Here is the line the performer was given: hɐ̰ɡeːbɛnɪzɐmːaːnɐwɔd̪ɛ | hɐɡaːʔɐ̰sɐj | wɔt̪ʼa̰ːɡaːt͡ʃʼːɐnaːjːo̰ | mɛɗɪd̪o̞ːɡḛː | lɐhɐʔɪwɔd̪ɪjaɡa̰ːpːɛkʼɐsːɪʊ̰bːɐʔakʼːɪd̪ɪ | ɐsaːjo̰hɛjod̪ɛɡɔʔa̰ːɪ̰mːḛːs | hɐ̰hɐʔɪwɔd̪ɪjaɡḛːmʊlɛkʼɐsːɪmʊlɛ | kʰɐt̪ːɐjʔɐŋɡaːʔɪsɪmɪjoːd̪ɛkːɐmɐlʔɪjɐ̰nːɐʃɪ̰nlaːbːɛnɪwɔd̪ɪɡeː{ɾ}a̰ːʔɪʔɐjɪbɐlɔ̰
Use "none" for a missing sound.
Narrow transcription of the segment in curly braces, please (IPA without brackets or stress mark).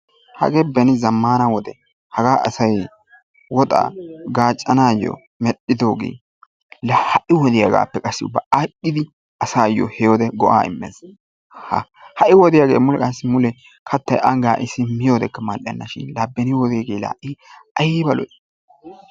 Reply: l